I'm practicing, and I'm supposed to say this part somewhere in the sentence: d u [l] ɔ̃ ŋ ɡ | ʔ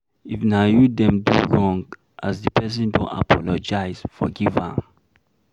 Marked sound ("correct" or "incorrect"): incorrect